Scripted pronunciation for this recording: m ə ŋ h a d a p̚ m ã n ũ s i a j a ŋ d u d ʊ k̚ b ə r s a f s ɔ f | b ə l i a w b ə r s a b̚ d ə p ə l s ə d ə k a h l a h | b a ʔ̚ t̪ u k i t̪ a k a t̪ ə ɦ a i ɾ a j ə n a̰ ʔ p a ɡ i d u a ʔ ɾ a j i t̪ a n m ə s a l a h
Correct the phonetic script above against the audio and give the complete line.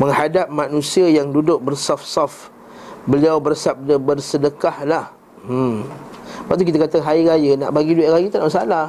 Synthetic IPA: m ə ŋ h a d a p̚ m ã n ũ s i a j a ŋ d u d ʊ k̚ b ə r s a f s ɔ f | b ə l i a w b ə r s a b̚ d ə b ə r s ə d ə k a h l a h | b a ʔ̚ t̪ u k i t̪ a k a t̪ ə ɦ a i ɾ a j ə n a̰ ʔ b a ɡ i d u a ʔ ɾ a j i t̪ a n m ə s a l a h